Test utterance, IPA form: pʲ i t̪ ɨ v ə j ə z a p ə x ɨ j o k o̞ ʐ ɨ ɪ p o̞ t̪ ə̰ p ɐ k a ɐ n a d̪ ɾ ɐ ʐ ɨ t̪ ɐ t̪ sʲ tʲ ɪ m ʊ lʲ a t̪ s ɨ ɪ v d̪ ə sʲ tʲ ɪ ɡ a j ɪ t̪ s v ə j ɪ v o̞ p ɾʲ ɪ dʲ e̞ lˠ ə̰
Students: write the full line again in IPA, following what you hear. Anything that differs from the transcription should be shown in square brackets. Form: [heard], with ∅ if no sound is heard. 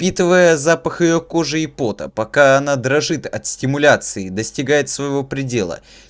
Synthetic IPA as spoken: pʲ i t̪ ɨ v ə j ə z a p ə x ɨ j o k o̞ ʐ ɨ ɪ p o̞ t̪ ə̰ p ɐ k a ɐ n a d̪ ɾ ɐ ʐ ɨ t̪ ɐ t̪ sʲ tʲ ɪ m ʊ lʲ a t̪ s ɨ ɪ [∅] d̪ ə sʲ tʲ ɪ ɡ a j ɪ t̪ s v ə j ɪ v o̞ p ɾʲ ɪ dʲ e̞ lˠ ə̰